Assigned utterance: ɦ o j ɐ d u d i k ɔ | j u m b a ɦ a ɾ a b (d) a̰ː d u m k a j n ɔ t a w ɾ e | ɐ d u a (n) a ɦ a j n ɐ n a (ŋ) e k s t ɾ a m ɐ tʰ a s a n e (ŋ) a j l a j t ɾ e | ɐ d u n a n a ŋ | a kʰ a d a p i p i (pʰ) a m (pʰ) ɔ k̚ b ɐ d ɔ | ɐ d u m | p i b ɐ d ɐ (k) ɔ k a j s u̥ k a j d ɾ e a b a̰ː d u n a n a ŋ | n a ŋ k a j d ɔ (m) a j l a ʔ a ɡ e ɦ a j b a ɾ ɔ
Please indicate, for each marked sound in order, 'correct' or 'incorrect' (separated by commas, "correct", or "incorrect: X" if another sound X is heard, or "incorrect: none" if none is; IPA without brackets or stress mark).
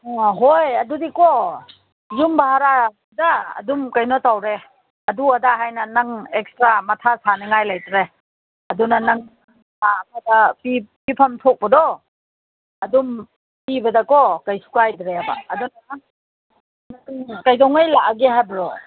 correct, incorrect: d, correct, correct, correct, incorrect: tʰ, correct, incorrect: ŋ